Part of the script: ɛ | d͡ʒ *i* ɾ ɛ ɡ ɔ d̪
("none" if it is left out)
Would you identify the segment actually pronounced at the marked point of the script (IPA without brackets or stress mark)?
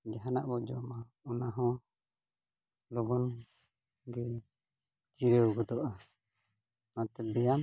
i